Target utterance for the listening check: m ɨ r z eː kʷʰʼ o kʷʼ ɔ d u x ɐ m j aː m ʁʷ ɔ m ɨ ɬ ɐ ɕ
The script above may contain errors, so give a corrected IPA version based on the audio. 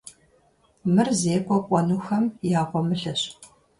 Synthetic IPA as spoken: m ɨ r z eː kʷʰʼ ɔ kʷʼ ɔ n u x ɐ m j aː ʁʷ ɔ m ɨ ɬ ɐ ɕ